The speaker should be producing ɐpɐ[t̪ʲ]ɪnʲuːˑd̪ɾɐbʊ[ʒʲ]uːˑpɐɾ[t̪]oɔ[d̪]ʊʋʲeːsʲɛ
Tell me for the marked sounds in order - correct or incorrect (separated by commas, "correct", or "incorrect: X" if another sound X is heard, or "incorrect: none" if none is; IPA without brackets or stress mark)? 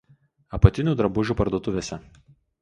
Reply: correct, correct, incorrect: d̪, incorrect: t̪